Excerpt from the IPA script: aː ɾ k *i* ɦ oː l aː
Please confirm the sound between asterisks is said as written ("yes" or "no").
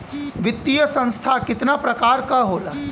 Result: no